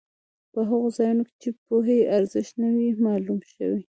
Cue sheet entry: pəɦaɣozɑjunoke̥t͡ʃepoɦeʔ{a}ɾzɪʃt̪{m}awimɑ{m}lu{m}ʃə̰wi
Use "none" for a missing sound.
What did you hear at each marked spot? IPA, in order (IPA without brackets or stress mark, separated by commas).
a, n, none, m